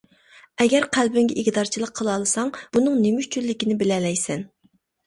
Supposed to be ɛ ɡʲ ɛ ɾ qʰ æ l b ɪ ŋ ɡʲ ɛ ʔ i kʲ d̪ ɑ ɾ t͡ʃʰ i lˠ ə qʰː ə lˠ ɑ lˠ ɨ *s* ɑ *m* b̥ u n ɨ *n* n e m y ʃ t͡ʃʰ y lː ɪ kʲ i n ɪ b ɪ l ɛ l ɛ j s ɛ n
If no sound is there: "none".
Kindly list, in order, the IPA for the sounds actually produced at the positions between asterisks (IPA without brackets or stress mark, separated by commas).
s, ŋ, ŋ